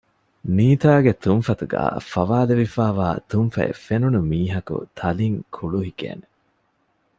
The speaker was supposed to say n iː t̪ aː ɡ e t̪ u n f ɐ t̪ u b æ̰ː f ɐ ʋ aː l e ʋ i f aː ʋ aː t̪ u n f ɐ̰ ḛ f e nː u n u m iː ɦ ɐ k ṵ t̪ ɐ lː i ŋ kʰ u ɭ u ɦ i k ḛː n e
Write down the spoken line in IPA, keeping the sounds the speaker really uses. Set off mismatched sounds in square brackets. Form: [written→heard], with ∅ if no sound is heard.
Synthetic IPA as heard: n iː t̪ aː ɡ e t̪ u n f ɐ t̪ u [b→ɡ] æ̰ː f ɐ ʋ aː l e ʋ i f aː ʋ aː t̪ u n f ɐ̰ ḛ f e [nː→n] u n u m iː ɦ ɐ k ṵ [t̪→t̪ʰ] ɐ [lː→l] i ŋ kʰ u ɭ u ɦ i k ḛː n e

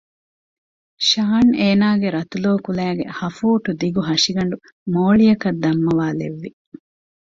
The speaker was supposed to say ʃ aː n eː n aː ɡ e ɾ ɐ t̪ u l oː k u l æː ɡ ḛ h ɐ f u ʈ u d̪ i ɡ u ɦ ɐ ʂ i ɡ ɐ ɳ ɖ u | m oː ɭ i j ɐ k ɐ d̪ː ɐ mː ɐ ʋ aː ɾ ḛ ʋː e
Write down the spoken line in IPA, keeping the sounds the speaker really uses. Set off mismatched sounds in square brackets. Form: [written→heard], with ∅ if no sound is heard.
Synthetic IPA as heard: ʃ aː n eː n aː ɡ e ɾ ɐ t̪ u l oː k u l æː ɡ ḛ h ɐ f [u→uː] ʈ u d̪ i ɡ u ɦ ɐ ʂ i ɡ ɐ ɳ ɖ u | m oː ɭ i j ɐ k ɐ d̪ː ɐ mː ɐ ʋ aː [ɾ→l] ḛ ʋː [e→i]

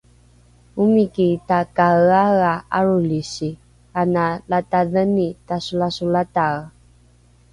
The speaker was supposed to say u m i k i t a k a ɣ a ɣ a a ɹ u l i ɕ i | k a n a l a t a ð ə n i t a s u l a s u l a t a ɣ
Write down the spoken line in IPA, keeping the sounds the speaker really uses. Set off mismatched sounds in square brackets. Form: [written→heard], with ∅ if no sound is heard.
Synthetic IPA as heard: u m i k i t a k a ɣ a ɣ a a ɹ u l i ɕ i | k a n a l a t a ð ə n i t a s u l a s u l a t a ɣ

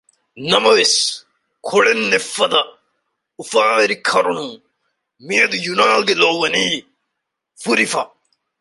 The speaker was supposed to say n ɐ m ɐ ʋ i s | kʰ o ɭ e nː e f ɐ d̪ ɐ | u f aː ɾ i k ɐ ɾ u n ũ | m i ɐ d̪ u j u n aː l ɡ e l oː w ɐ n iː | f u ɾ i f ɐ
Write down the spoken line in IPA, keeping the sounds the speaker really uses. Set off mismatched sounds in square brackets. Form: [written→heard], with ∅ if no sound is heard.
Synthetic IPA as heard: n ɐ m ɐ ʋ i s | kʰ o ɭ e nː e f ɐ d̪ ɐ | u f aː ɾ i [k→kʰ] ɐ ɾ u n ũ | m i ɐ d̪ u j u n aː l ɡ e l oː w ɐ n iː | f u ɾ i f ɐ

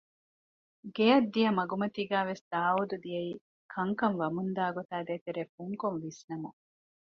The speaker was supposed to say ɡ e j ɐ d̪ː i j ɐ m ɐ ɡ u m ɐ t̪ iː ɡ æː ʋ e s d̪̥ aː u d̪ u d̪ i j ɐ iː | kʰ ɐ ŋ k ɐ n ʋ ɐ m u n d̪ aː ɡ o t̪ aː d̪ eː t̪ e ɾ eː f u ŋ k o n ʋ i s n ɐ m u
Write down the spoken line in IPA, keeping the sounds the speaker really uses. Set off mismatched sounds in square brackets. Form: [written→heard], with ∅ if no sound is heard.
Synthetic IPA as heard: ɡ e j ɐ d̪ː i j ɐ m ɐ ɡ u m ɐ t̪ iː ɡ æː ʋ e s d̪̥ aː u d̪ u d̪ i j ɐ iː | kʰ ɐ ŋ k ɐ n ʋ ɐ m u n d̪ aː ɡ o t̪ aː d̪ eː t̪ e ɾ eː f u ŋ k o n ʋ i s n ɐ m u

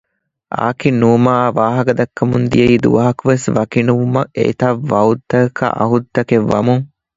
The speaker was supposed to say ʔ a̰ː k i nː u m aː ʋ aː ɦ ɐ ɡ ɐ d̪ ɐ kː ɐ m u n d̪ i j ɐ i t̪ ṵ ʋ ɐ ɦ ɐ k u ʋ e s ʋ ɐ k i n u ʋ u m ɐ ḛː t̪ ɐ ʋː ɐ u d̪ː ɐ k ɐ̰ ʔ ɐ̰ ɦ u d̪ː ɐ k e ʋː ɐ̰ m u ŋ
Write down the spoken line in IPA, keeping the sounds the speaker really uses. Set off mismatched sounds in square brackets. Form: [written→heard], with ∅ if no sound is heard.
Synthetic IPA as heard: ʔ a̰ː k i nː u m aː ʋ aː ɦ ɐ ɡ ɐ d̪ ɐ kː ɐ m u n d̪ i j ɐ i [t̪→d̪] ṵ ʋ ɐ ɦ ɐ k u ʋ e s ʋ ɐ k i n u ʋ u m ɐ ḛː t̪ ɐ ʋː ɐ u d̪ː ɐ k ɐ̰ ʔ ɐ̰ ɦ u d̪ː ɐ k e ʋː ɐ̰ m u ŋ

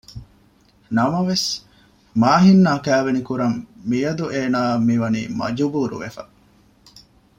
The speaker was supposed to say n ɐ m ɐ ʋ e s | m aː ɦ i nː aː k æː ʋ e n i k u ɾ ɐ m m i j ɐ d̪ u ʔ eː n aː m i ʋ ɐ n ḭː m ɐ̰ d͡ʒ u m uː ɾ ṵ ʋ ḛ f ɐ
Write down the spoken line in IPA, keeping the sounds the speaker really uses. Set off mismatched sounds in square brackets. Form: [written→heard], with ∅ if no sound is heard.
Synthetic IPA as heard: n ɐ m ɐ ʋ e s | m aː ɦ i nː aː k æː ʋ e n i k u ɾ ɐ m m i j ɐ d̪ u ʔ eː n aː m i ʋ ɐ n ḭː m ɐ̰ d͡ʒ u [m→b] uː ɾ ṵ ʋ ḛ f ɐ

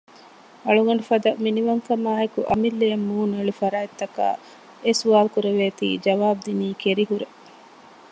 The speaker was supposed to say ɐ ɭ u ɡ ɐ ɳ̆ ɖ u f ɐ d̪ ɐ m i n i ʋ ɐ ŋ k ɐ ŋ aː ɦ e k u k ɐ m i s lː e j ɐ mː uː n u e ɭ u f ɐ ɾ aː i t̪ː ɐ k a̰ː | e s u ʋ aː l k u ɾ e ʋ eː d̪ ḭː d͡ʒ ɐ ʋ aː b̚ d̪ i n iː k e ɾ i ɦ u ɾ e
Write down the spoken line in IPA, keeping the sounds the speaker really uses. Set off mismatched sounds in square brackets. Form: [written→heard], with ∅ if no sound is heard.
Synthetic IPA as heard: ɐ ɭ u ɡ ɐ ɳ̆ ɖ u f ɐ d̪ ɐ m i n i ʋ ɐ ŋ k ɐ [ŋ→m] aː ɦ e k u [k→ʔ] ɐ m i [s→∅] lː e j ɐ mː uː n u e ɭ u f ɐ ɾ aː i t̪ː ɐ k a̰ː | e s u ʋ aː l k u ɾ e ʋ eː [d̪→t̪] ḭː d͡ʒ ɐ ʋ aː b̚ d̪ i n iː k e ɾ i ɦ u ɾ e

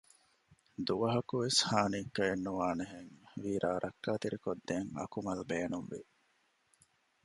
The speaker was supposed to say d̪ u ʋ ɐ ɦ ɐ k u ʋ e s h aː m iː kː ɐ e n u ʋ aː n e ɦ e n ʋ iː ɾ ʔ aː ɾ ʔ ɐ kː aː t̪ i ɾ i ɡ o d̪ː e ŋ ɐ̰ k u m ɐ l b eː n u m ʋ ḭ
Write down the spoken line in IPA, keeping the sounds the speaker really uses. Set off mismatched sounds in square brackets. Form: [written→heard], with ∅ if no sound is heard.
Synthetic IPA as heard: d̪ u ʋ ɐ ɦ ɐ k u ʋ e s h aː [m→n] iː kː ɐ e [n→nː] u ʋ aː n e ɦ e [n→ŋ] ʋ iː ɾ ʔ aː ɾ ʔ ɐ kː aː t̪ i ɾ i [ɡ→k] o d̪ː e ŋ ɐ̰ k u m ɐ l b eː n u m ʋ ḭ

